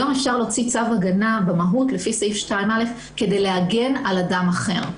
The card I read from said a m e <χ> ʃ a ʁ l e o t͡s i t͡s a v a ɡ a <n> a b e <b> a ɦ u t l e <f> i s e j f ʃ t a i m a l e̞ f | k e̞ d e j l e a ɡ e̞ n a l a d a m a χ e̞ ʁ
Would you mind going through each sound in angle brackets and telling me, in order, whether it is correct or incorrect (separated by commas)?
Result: incorrect, correct, incorrect, correct